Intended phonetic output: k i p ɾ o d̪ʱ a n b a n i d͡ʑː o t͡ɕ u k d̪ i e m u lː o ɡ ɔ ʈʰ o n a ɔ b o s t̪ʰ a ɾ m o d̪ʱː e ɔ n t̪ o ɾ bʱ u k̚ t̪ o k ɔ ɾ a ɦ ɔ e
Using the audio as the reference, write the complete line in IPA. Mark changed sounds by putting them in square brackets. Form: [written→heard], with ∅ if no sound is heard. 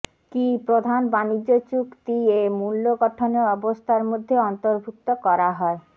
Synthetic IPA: k i p ɾ o d̪ʱ a n b a n i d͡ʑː o t͡ɕ u k [d̪→t̪] i e m u lː o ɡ ɔ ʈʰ o n [a→e] ɔ b o s t̪ʰ a ɾ m o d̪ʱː e ɔ n t̪ o ɾ bʱ u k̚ t̪ o k ɔ ɾ a ɦ ɔ e